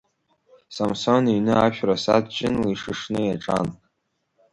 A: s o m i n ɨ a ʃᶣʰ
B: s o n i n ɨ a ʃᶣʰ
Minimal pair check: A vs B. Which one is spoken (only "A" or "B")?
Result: B